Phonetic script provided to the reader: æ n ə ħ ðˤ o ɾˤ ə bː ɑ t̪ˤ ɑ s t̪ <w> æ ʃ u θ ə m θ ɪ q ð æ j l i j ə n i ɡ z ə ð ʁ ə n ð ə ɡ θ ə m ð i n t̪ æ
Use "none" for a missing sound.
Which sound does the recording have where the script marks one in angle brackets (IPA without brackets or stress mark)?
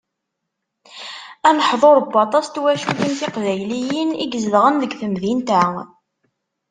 w